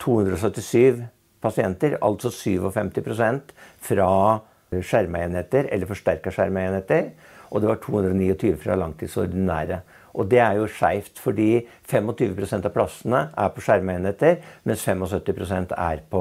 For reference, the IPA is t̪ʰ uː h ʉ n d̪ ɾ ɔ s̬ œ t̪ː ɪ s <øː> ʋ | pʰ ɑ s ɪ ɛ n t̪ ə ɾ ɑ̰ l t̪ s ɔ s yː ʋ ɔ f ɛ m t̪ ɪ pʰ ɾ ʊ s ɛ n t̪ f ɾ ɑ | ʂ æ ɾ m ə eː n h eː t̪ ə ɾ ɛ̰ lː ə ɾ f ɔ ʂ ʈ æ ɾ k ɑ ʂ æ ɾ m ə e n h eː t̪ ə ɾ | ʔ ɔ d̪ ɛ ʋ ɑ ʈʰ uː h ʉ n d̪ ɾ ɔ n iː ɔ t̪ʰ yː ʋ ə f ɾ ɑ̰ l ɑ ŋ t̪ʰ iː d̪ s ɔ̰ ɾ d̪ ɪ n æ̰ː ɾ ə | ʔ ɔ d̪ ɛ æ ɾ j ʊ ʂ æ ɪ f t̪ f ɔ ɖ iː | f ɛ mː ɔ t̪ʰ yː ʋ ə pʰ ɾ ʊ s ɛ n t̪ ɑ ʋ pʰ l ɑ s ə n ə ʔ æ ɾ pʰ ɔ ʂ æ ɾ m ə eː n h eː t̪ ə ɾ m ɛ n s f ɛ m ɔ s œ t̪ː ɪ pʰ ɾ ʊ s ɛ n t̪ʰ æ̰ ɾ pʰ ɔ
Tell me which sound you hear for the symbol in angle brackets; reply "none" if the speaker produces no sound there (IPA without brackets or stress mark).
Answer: yː